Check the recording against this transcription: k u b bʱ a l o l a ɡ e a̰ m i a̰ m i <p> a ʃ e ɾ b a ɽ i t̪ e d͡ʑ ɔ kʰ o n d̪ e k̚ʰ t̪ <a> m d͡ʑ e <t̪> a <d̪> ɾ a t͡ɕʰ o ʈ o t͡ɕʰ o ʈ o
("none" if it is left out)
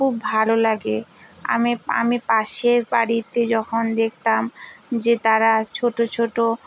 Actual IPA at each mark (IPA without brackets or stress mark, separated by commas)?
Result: p, a, t̪, none